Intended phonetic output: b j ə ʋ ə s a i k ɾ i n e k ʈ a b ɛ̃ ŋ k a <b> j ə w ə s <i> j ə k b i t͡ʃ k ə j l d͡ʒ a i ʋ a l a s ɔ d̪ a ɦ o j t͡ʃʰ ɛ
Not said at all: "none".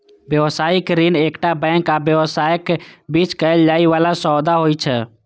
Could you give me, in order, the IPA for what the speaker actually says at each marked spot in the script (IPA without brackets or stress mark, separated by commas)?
b, a